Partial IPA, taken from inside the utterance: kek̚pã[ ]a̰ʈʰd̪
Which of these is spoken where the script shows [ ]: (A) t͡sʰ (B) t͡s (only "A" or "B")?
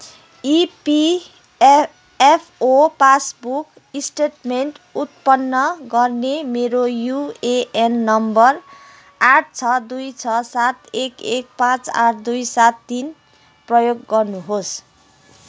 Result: B